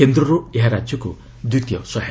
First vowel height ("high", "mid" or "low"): mid